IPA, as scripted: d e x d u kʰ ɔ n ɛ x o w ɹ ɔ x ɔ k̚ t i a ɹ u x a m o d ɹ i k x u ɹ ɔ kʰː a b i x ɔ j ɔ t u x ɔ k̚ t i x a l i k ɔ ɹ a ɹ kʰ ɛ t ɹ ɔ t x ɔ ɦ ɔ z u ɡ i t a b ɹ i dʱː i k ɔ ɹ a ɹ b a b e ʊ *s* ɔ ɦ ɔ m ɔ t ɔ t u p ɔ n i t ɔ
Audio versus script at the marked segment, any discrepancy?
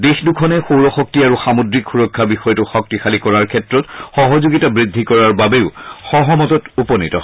yes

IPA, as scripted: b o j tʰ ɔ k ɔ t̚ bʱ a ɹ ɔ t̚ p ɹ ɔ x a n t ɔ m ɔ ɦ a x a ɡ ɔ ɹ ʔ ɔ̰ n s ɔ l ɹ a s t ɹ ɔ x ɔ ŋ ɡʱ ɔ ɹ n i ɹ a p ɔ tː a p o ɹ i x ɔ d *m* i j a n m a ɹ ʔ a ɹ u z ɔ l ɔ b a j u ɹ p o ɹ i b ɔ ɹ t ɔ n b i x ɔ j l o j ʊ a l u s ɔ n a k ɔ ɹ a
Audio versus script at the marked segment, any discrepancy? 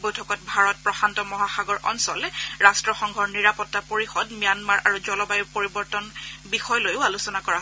no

